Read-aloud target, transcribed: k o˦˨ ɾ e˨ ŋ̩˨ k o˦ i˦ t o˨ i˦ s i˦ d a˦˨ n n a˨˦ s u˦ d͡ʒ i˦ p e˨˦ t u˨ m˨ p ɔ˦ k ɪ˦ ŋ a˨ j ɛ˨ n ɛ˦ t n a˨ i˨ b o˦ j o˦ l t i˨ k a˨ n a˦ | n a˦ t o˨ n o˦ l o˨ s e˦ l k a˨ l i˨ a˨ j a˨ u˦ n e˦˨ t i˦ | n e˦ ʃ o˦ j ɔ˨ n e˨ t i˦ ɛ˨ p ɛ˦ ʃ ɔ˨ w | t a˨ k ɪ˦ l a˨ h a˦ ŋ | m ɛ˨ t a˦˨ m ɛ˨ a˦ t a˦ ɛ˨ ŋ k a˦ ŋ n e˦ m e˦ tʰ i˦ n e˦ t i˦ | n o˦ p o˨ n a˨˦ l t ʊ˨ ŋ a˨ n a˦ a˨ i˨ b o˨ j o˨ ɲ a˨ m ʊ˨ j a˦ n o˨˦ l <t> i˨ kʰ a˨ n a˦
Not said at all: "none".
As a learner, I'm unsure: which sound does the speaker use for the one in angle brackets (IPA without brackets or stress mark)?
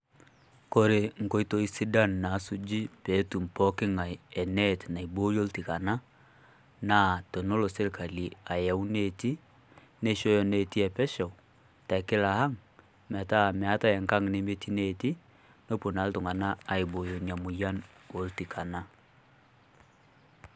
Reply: t